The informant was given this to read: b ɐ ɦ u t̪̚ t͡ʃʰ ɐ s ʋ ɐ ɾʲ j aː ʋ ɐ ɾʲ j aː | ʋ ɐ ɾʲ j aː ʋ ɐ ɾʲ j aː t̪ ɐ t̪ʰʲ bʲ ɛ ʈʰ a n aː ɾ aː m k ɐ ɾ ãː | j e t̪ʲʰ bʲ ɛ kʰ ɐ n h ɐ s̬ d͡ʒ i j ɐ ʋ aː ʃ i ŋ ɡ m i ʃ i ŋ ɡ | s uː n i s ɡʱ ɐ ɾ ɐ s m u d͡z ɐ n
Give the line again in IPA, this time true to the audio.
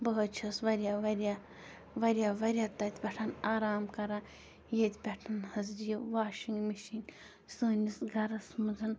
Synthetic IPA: b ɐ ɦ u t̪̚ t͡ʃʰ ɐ s ʋ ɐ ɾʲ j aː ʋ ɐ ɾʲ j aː | ʋ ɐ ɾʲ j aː ʋ ɐ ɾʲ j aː t̪ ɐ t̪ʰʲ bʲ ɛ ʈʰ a n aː ɾ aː m k ɐ ɾ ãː | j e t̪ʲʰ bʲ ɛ ʈʰ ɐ n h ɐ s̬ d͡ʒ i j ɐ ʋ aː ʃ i ŋ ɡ m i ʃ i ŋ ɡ | s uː n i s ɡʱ ɐ ɾ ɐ s m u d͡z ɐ n